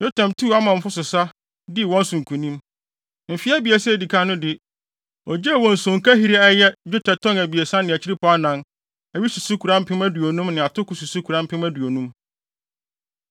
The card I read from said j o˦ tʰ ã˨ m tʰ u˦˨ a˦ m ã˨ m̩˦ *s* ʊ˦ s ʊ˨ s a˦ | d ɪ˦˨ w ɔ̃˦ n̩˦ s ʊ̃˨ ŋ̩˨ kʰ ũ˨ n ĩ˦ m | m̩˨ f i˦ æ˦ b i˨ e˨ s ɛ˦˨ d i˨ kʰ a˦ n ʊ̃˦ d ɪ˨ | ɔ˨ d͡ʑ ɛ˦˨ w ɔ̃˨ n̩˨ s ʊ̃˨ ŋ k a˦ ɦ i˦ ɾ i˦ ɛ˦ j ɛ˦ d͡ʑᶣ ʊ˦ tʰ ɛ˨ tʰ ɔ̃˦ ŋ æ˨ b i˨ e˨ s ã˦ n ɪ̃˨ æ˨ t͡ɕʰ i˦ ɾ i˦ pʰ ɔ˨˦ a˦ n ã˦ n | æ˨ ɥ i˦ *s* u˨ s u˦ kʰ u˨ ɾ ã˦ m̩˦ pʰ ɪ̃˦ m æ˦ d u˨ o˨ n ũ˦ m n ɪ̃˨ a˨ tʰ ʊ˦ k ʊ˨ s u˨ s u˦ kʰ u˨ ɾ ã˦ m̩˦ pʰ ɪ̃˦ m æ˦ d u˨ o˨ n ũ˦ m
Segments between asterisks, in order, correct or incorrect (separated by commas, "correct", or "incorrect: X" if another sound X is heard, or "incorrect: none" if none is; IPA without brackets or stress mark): incorrect: f, correct